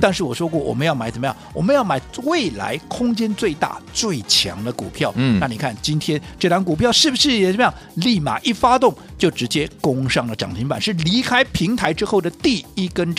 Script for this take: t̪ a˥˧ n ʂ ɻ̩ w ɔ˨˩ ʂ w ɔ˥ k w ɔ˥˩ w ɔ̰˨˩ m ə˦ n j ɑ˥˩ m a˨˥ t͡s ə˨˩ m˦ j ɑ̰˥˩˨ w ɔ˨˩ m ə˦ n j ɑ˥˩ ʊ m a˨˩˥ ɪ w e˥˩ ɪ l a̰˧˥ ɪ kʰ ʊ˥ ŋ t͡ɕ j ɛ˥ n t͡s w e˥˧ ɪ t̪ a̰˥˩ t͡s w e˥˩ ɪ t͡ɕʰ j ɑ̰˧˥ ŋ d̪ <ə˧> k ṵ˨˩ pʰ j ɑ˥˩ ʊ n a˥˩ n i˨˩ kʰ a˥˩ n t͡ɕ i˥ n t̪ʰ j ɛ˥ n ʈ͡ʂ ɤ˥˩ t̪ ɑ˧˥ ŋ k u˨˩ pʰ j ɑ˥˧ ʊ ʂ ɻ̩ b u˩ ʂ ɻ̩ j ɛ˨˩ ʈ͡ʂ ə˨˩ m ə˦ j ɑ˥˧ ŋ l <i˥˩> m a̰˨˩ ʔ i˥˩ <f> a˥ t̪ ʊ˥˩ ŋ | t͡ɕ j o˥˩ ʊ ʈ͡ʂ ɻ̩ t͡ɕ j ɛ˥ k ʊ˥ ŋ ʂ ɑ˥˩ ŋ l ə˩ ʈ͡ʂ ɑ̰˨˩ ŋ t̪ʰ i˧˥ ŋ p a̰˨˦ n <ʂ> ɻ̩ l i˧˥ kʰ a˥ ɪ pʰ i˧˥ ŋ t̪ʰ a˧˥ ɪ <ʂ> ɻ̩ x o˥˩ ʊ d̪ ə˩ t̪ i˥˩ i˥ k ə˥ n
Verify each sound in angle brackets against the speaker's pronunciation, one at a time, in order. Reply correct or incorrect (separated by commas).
correct, correct, correct, correct, incorrect